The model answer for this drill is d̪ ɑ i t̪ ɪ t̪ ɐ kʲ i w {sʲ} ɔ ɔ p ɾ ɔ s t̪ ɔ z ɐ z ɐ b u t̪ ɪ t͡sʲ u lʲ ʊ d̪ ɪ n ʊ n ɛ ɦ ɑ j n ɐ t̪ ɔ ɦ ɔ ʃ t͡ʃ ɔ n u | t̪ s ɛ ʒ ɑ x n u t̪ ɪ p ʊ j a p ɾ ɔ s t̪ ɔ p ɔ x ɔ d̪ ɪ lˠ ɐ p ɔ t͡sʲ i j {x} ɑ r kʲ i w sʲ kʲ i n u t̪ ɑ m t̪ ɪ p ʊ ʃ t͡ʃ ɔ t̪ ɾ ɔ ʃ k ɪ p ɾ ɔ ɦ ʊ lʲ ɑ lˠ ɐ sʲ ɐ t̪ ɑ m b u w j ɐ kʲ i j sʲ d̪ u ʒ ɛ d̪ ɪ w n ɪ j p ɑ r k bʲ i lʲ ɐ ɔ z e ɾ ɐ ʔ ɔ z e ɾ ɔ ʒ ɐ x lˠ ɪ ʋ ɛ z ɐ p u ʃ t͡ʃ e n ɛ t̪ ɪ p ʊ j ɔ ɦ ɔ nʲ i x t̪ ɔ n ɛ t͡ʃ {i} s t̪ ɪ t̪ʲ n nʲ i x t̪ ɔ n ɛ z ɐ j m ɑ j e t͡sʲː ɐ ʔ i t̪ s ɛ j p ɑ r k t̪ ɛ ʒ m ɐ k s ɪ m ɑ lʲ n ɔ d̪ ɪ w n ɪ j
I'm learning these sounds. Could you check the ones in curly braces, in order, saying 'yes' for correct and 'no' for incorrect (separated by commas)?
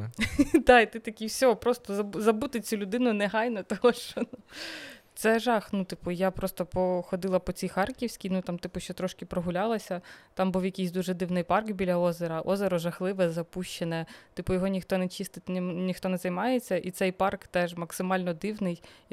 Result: yes, yes, yes